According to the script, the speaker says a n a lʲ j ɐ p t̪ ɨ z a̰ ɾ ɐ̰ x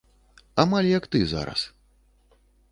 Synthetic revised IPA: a m a lʲ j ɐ k t̪ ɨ z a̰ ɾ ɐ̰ s